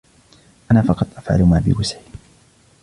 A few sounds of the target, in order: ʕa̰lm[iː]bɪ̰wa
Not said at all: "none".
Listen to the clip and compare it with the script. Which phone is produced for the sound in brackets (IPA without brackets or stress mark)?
aː